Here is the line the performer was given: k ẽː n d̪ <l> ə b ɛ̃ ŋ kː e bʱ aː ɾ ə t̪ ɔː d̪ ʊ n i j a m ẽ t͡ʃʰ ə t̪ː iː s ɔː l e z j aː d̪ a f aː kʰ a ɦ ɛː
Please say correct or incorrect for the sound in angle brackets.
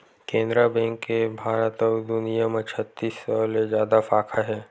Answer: incorrect